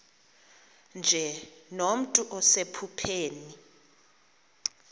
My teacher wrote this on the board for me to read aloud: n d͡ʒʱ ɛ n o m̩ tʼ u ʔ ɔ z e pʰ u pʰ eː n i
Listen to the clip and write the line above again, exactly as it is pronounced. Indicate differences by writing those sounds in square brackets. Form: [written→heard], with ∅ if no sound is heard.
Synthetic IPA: n d͡ʒʱ ɛ n o m̩ tʼ u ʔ ɔ [z→s] e pʰ u pʰ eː n i